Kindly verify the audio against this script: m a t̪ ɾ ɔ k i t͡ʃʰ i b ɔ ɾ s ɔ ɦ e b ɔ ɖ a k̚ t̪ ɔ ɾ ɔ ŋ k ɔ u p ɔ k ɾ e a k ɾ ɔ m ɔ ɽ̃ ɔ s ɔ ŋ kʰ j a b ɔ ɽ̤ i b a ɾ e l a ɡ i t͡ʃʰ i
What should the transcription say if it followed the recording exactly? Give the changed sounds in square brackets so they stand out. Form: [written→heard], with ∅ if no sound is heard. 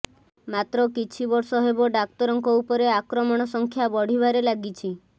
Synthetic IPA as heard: m a t̪ ɾ ɔ k i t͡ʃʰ i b ɔ ɾ s ɔ ɦ e b ɔ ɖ a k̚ t̪ ɔ ɾ ɔ ŋ k ɔ u p ɔ [k→∅] ɾ e a k ɾ ɔ m ɔ ɽ̃ ɔ s ɔ ŋ kʰ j a b ɔ ɽ̤ i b a ɾ e l a ɡ i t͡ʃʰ i